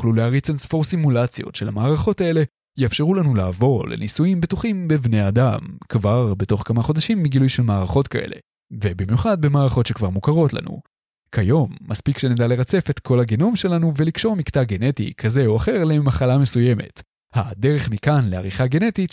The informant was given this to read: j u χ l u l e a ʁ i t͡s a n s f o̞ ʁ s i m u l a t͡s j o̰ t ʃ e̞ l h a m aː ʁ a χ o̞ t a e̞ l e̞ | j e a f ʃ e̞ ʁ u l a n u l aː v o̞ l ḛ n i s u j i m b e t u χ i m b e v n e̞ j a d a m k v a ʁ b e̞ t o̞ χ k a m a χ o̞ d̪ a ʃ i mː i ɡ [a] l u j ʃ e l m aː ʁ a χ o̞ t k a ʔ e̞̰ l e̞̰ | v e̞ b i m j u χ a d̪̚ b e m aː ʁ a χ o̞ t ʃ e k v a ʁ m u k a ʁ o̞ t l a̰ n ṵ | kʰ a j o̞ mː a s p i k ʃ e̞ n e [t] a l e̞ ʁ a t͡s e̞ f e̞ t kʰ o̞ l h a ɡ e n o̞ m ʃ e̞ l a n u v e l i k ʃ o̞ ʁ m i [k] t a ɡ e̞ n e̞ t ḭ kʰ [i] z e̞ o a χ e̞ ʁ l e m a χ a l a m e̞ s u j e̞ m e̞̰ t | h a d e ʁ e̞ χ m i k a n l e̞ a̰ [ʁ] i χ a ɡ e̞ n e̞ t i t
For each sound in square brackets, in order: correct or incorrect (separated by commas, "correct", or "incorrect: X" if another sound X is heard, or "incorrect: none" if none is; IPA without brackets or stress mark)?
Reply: incorrect: i, incorrect: d, correct, incorrect: a, correct